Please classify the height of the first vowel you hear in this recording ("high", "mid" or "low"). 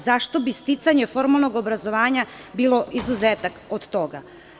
low